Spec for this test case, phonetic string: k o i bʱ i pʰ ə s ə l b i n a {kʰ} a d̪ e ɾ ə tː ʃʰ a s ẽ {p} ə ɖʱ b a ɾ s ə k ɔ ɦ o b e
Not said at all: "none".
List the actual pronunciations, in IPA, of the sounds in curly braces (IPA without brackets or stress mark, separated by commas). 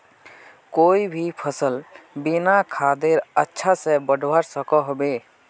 kʰ, b